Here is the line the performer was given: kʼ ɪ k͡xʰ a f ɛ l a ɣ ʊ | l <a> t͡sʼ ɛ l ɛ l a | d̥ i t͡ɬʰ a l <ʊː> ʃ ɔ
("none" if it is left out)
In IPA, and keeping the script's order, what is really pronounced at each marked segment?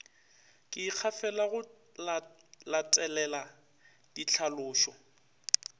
a, ʊː

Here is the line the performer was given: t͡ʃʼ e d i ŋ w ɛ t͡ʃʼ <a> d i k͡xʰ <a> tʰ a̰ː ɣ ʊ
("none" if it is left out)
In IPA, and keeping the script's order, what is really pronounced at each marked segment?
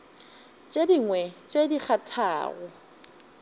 e, a

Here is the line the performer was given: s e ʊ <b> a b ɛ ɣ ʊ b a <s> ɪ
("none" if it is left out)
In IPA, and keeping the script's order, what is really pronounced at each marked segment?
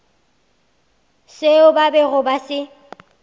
b, s

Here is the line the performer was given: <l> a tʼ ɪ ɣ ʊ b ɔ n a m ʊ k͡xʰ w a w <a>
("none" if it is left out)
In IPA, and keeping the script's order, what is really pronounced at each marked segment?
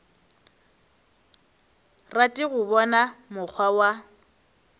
r, a

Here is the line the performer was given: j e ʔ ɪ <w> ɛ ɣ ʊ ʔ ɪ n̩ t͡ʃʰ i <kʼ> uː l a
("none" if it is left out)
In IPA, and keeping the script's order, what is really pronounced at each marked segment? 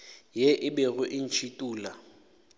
b, tʼ

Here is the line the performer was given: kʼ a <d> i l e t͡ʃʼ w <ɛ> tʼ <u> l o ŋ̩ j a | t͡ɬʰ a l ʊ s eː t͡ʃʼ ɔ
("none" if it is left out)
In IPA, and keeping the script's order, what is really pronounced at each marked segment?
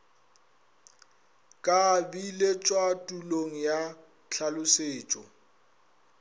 b, a, u

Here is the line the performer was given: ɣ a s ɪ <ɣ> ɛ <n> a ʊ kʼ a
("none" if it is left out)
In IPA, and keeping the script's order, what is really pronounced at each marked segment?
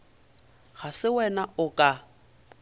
w, n

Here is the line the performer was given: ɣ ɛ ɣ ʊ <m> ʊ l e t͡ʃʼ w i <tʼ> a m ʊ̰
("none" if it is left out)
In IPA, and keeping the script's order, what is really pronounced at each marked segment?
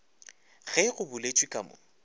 b, kʼ

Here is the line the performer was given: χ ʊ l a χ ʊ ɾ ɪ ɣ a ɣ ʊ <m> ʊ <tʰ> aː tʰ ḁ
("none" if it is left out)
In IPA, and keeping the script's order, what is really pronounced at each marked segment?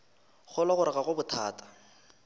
b, tʰ

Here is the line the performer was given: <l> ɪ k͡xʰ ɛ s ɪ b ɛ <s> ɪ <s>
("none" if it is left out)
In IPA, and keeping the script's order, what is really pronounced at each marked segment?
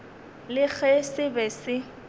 l, s, none

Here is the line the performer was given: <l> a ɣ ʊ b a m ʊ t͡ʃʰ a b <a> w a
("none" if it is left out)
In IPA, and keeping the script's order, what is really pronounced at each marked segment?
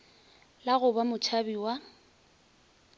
l, i

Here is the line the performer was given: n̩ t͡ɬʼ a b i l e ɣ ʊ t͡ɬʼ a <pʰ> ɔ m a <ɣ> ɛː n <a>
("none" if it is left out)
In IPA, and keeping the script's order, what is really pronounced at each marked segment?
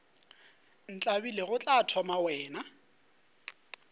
tʰ, w, a

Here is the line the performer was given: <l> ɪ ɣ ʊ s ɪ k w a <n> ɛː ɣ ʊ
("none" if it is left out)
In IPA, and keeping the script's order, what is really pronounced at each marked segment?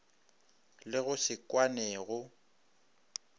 l, n

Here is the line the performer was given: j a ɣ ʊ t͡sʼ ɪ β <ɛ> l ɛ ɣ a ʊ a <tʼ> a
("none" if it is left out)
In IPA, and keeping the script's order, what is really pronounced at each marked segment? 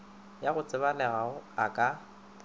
a, kʼ

